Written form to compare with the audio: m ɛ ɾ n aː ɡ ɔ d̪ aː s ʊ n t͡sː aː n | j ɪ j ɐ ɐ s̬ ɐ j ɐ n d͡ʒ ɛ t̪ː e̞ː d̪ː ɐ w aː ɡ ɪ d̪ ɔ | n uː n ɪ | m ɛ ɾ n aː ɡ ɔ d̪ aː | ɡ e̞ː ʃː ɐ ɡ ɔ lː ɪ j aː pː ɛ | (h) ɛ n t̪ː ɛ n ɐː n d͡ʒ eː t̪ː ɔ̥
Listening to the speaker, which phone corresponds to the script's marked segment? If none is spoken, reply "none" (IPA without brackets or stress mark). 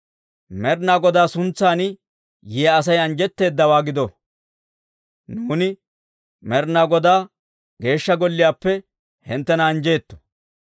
h